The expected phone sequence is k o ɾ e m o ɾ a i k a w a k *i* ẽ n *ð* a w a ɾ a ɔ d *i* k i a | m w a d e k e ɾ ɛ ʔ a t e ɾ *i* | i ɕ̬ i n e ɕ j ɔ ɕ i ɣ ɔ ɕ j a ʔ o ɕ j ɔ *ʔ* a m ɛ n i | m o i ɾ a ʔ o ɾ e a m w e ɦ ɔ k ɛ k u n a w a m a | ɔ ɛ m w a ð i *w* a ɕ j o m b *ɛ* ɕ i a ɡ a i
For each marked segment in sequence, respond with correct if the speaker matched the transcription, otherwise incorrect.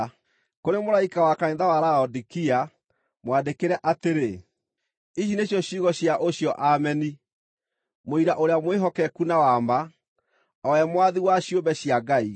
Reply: incorrect: a, correct, correct, incorrect: e, correct, correct, correct

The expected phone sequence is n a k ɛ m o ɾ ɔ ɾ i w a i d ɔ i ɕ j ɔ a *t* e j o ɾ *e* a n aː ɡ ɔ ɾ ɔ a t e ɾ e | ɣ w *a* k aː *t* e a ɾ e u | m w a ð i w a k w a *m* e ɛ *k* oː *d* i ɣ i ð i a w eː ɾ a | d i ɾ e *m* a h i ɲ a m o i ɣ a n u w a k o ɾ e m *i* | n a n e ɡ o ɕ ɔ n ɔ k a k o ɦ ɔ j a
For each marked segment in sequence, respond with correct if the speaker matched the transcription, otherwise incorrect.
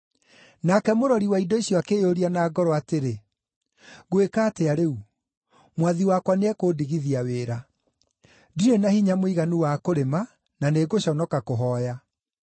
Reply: incorrect: k, incorrect: i, incorrect: e, correct, incorrect: n, correct, correct, incorrect: n, incorrect: a

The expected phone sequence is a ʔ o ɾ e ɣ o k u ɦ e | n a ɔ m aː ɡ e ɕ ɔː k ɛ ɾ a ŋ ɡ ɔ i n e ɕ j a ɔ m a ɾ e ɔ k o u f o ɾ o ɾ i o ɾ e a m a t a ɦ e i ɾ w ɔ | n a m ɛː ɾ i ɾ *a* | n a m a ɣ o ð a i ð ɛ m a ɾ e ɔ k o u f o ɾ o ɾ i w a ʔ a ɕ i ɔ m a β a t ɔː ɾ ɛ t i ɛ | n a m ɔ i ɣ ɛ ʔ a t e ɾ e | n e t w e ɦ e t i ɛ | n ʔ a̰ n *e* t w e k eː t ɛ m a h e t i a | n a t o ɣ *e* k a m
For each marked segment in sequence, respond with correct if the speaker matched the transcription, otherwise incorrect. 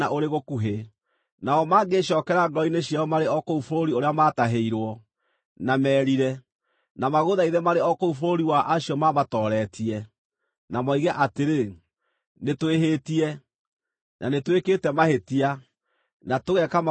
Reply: incorrect: ɛ, correct, incorrect: ɛ

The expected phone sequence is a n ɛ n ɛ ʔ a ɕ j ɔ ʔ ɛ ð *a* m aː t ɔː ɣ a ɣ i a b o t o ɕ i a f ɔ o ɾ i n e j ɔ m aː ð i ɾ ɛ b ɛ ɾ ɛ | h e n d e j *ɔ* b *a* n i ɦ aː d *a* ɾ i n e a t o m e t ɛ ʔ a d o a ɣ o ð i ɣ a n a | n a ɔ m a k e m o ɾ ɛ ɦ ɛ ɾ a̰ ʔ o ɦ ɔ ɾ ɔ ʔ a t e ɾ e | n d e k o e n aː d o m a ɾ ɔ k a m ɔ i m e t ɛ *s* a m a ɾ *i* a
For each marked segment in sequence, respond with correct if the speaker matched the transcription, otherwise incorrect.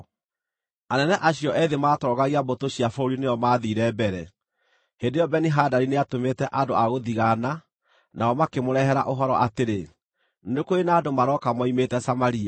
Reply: incorrect: e, correct, incorrect: ɛ, correct, correct, correct

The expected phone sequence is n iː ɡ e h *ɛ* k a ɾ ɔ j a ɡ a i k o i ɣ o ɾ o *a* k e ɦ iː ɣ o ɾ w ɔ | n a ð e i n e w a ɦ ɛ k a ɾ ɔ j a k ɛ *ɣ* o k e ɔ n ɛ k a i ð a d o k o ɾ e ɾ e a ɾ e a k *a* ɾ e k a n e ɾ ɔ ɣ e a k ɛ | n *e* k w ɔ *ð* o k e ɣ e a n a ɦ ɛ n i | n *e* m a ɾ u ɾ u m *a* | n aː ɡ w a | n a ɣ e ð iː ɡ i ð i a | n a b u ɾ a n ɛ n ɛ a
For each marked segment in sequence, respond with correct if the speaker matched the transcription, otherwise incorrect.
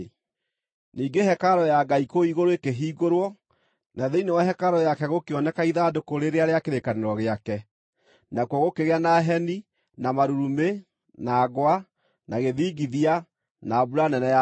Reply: correct, incorrect: e, correct, incorrect: e, incorrect: a, incorrect: ɣ, incorrect: a, incorrect: e

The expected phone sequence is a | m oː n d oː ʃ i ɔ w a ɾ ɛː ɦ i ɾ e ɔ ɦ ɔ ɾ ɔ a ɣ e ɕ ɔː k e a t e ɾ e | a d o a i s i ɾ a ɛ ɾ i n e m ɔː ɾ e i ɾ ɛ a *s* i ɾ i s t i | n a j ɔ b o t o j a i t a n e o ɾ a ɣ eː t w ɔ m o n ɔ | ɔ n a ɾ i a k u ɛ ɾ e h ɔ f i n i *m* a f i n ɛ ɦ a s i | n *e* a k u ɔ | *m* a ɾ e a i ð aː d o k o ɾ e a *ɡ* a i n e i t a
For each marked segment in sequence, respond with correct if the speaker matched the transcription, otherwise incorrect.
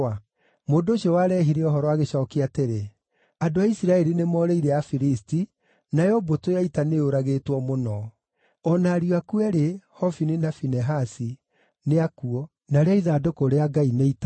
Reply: incorrect: f, incorrect: n, correct, incorrect: n, correct

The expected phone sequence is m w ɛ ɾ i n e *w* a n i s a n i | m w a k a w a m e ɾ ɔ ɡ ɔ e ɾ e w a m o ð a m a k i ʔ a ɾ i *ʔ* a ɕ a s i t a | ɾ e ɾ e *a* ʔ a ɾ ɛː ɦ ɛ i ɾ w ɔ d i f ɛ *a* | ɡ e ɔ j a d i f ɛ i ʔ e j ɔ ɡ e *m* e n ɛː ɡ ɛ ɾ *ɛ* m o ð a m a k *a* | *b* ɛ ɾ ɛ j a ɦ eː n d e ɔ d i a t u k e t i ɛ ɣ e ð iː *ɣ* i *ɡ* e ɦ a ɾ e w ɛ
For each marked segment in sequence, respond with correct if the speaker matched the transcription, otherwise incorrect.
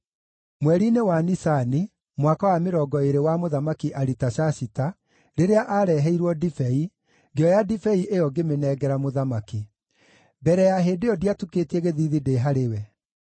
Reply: correct, incorrect: t, correct, incorrect: i, correct, incorrect: a, incorrect: i, correct, incorrect: ð, incorrect: d

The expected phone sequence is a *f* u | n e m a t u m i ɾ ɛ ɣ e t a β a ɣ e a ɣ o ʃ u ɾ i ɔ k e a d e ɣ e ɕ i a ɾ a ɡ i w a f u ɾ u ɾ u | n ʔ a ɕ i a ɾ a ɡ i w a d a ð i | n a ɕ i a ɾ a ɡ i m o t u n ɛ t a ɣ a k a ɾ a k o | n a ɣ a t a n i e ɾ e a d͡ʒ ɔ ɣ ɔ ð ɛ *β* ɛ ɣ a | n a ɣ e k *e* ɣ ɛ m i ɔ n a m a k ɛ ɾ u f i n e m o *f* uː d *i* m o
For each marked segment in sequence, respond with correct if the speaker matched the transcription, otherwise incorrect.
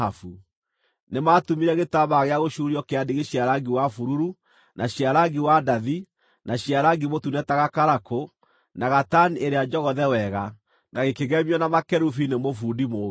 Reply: correct, incorrect: w, correct, correct, correct

